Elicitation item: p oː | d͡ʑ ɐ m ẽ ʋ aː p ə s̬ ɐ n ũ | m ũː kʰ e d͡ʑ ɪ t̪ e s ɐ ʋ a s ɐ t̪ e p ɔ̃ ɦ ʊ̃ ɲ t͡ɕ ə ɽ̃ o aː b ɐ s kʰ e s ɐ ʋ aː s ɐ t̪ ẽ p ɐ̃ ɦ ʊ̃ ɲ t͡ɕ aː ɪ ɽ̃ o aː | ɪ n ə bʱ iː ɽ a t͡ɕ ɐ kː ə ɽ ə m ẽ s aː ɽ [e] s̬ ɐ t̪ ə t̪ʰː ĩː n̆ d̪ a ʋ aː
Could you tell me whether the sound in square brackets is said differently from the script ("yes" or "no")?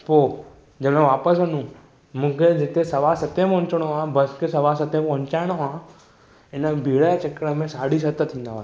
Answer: yes